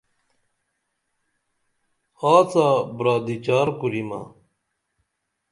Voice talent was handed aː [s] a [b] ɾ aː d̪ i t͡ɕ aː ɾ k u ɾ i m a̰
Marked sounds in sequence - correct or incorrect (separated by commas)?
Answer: incorrect, correct